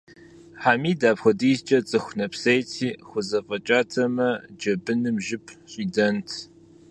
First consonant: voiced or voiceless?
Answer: voiceless